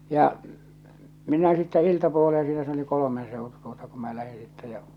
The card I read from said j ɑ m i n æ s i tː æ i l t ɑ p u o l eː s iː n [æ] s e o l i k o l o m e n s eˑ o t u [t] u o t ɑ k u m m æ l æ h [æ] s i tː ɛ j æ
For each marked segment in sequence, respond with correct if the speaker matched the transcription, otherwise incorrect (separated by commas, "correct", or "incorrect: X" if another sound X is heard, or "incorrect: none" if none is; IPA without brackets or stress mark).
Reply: correct, correct, incorrect: i